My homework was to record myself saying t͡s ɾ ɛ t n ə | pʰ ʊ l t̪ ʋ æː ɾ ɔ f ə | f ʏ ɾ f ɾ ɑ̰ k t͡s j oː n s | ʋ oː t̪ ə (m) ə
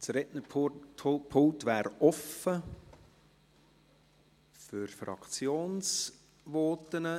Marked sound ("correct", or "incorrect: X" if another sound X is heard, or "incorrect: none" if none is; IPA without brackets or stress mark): incorrect: n